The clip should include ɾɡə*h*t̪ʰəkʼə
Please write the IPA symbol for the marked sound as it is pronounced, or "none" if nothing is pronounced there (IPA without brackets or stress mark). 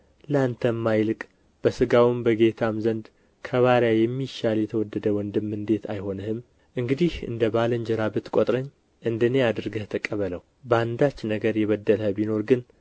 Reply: h